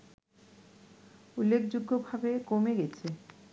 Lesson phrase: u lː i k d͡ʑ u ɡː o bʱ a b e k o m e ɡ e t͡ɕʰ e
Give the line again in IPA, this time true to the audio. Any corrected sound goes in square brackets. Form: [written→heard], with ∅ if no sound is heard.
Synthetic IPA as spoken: u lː [i→e] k d͡ʑ u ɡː o bʱ a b e k o m e ɡ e t͡ɕʰ e